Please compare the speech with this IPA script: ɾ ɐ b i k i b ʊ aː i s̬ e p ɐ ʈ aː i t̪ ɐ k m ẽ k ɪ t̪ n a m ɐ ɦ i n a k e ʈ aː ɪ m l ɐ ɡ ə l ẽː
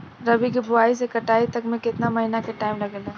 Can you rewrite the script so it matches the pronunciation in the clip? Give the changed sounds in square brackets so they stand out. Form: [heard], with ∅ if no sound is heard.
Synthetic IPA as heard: ɾ ɐ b i k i b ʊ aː i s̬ e [k] ɐ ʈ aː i t̪ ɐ k m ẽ k ɪ t̪ n a m ɐ ɦ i n a k e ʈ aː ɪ m l ɐ ɡ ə l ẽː